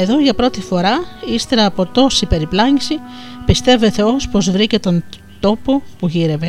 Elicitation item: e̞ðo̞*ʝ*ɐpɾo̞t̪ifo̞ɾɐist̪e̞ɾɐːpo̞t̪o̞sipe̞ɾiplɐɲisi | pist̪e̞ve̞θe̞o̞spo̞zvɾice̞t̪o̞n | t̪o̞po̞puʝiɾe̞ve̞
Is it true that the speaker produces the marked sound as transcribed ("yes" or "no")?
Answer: yes